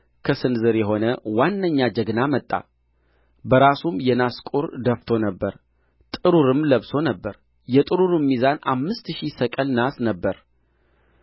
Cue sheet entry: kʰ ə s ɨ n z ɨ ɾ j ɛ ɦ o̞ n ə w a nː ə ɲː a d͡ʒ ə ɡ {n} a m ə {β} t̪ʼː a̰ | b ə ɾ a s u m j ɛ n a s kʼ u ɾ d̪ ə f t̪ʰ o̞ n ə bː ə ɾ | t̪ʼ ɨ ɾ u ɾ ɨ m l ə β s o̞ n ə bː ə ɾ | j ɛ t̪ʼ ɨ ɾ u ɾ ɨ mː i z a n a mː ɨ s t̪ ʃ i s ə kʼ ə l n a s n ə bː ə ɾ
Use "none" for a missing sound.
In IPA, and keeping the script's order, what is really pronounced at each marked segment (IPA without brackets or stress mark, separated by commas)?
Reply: n, none